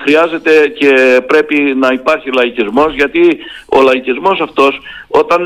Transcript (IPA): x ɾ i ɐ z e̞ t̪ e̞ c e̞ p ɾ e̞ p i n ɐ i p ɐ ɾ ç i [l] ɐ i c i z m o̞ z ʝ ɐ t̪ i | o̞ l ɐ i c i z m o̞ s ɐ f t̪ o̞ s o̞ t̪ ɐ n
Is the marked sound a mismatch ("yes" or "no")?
no